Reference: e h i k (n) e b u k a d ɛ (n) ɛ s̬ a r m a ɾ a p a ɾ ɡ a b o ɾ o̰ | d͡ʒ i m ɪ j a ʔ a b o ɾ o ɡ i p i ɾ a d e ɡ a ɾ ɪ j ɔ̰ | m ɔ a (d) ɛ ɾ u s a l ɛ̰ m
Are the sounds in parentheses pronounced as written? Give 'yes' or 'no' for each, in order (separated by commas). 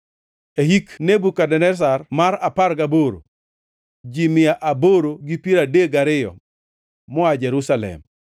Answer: yes, yes, no